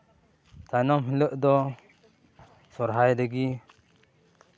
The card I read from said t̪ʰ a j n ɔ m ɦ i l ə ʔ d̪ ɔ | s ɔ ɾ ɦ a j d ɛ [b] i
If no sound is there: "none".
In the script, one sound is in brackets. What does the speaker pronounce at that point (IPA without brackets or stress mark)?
ɡ